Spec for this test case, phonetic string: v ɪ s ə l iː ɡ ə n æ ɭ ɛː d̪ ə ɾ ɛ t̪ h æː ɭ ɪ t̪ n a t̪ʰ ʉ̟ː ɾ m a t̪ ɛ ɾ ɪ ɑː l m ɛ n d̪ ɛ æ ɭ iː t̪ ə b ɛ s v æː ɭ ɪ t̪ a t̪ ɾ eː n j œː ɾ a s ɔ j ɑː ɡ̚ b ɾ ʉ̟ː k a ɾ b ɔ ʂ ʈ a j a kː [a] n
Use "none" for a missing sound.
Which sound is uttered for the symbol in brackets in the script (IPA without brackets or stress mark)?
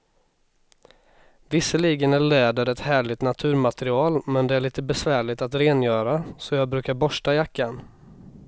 a